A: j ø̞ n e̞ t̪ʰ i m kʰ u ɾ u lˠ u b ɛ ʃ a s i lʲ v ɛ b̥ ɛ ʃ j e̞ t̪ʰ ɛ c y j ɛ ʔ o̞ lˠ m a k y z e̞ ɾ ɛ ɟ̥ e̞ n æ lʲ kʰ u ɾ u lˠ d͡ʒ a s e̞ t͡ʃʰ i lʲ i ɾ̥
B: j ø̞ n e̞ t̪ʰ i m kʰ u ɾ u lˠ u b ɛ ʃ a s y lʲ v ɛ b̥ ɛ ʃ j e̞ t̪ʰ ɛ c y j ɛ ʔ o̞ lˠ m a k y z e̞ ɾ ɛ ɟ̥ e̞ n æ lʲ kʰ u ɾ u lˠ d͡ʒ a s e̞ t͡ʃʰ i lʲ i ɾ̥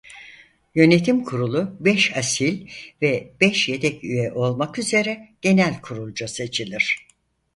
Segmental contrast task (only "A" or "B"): A